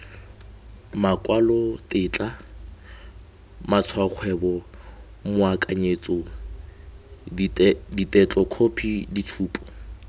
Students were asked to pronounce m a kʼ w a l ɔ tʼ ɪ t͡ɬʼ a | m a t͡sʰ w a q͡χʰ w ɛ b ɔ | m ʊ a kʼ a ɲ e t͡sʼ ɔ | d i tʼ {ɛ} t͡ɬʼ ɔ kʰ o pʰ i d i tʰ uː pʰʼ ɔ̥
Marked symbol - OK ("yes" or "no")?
yes